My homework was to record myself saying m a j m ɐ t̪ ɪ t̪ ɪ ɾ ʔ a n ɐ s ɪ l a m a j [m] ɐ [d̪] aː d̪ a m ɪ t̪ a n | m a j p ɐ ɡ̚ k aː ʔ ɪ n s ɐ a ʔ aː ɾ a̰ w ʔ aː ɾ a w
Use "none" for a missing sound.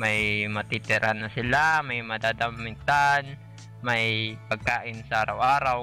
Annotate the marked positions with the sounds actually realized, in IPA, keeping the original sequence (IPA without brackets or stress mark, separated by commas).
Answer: m, d̪